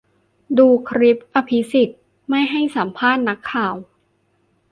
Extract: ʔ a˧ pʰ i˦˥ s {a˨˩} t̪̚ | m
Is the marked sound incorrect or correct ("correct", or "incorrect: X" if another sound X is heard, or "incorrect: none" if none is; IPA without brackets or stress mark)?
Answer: incorrect: i˨˩